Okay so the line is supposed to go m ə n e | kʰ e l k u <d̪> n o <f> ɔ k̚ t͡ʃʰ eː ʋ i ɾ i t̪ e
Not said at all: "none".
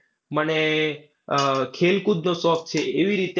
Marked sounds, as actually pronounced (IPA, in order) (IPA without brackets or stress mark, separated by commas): d̪, s